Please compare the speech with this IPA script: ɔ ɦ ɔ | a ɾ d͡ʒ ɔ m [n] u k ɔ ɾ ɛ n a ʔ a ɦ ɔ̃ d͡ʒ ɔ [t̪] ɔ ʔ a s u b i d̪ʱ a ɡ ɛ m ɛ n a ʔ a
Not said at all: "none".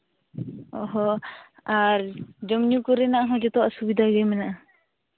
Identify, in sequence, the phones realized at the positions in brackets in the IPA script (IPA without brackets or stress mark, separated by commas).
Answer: ɲ, t̪